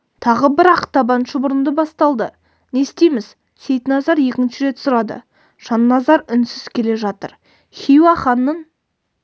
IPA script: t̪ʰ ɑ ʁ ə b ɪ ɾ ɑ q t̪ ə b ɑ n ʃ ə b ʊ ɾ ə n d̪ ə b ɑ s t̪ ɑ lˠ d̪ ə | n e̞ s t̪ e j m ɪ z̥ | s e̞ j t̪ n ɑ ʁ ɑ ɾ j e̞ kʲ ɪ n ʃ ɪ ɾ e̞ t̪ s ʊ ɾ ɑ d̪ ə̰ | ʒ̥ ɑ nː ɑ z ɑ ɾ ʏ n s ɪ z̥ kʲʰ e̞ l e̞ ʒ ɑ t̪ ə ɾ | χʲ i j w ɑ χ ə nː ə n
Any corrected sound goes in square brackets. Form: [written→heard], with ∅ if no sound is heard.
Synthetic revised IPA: t̪ʰ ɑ ʁ ə b ɪ ɾ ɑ q t̪ [ə→ɑ] b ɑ n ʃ ə b ʊ ɾ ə n d̪ ə b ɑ s t̪ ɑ lˠ d̪ ə | n e̞ s t̪ e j m ɪ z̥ | s e̞ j t̪ n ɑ [ʁ→z] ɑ ɾ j e̞ kʲ ɪ n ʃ ɪ ɾ e̞ t̪ s ʊ ɾ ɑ d̪ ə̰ | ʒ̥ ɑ nː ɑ z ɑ ɾ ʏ n s ɪ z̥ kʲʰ e̞ l e̞ ʒ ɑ t̪ ə ɾ | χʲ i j w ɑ χ [ə→ɑ] nː ə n